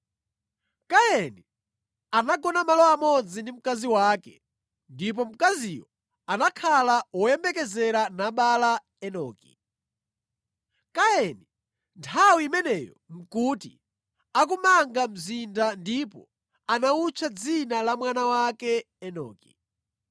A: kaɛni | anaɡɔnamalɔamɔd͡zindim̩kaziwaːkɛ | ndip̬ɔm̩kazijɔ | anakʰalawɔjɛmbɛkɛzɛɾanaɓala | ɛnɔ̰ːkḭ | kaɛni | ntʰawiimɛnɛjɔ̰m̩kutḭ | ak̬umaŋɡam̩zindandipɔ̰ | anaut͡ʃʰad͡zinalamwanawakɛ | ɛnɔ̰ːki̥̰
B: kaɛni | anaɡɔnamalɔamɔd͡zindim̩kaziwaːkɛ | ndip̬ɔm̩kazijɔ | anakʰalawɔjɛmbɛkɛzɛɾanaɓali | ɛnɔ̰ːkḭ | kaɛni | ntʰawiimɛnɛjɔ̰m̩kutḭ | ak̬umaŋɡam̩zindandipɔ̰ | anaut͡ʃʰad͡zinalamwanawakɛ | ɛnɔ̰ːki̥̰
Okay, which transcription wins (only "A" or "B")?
A